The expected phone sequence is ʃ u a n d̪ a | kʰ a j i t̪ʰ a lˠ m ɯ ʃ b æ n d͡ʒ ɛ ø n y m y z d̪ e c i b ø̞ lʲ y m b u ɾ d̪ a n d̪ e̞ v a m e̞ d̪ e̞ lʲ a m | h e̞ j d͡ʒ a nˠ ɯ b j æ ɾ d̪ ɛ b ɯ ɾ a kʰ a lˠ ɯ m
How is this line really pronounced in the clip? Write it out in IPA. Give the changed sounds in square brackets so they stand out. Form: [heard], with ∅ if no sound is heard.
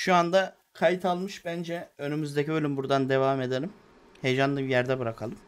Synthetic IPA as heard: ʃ u a n d̪ a | kʰ a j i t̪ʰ a lˠ m ɯ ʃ b æ n d͡ʒ ɛ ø n y m y z d̪ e c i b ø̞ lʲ y m b u ɾ d̪ a n d̪ e̞ v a m e̞ d̪ e̞ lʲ [i] m | h e̞ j d͡ʒ a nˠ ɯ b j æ ɾ d̪ ɛ b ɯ ɾ a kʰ a lˠ ɯ m

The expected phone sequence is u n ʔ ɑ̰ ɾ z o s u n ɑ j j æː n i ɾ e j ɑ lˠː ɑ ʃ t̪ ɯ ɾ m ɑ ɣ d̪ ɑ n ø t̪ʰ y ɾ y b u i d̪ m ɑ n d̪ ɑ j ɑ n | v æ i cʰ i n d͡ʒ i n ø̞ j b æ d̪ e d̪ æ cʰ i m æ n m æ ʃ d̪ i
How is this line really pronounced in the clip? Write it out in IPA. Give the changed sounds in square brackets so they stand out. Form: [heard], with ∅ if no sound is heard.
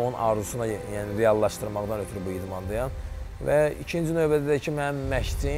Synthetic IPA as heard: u n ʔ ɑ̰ ɾ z [u] s u n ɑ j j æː n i ɾ e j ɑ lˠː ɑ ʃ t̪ ɯ ɾ m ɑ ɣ d̪ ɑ n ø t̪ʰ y ɾ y b u i d̪ m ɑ n d̪ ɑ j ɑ n | v æ i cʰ i n d͡ʒ i n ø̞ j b æ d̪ [æ] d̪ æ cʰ i m æ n m æ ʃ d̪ i

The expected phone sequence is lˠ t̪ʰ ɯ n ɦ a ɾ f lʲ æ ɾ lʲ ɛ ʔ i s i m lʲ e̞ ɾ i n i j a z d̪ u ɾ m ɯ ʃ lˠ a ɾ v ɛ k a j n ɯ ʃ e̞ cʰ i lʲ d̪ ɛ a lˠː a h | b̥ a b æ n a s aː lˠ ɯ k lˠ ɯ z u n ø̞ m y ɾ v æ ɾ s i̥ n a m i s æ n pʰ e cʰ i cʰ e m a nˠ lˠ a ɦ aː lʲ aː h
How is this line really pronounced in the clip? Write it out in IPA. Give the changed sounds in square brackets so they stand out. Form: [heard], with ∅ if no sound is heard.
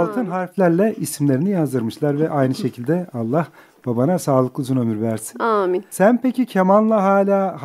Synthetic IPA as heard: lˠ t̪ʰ ɯ n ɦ a ɾ f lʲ æ ɾ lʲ ɛ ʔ i s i m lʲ e̞ ɾ i n i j a z d̪ [ɯ] ɾ m ɯ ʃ lˠ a ɾ v ɛ [ʔ] a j n ɯ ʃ e̞ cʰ i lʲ d̪ ɛ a lˠː a h | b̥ a b [a] n a s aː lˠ ɯ k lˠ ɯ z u n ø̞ m y ɾ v æ ɾ s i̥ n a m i s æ n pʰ e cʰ i cʰ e m a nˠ lˠ a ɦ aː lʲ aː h

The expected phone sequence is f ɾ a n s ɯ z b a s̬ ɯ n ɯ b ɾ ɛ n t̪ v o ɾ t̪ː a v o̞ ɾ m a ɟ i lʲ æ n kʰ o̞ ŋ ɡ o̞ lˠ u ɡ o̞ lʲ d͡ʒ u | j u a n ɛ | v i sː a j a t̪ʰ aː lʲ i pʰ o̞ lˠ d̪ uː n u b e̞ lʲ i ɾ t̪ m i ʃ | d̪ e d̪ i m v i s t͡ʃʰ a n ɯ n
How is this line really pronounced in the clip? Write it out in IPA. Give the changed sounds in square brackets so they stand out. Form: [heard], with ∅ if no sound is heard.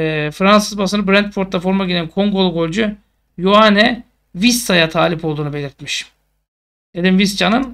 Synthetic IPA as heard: f ɾ a n s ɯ z b a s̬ ɯ n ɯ b ɾ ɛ n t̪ [f] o ɾ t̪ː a [f] o̞ ɾ m a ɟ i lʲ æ n kʰ o̞ ŋ ɡ o̞ lˠ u ɡ o̞ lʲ d͡ʒ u | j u a n ɛ | v i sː a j a t̪ʰ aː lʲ i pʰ o̞ lˠ d̪ uː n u b e̞ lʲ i ɾ t̪ m i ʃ | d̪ e d̪ i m v i s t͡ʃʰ a n ɯ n

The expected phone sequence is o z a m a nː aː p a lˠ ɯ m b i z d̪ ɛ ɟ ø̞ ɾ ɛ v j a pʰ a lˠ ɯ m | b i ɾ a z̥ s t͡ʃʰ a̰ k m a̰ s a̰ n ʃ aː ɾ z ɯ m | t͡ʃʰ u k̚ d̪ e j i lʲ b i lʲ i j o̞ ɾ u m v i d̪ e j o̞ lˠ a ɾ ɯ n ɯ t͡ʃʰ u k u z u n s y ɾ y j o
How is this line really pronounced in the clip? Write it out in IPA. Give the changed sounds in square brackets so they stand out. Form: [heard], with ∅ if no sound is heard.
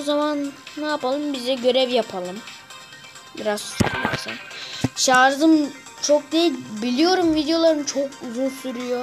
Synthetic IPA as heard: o z a m a nː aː p a lˠ ɯ m b i z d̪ ɛ ɟ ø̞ ɾ ɛ v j a pʰ a lˠ ɯ m | b i ɾ a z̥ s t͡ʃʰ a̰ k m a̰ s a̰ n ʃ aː ɾ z ɯ m | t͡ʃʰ [o] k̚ d̪ e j i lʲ b i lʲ i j o̞ ɾ u m v i d̪ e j o̞ lˠ a ɾ ɯ n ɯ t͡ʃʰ [o] k u z u n s y ɾ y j o

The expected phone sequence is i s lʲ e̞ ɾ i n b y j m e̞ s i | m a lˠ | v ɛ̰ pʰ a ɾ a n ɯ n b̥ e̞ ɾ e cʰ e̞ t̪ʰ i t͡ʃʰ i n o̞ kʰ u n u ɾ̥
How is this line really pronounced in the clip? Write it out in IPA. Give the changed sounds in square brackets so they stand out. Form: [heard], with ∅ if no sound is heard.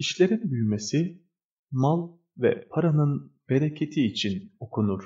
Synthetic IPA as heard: i [ʃ] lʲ e̞ ɾ i n b y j m e̞ s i | m a lˠ | v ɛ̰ pʰ a ɾ a n ɯ n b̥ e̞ ɾ e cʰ e̞ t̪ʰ [iː] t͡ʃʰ i n o̞ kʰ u n u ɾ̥

